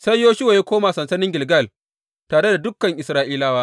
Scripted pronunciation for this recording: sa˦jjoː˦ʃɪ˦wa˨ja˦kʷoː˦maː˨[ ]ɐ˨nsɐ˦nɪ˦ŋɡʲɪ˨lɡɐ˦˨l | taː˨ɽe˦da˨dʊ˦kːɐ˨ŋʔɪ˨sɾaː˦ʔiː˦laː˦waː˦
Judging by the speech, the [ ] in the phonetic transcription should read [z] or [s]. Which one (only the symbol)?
s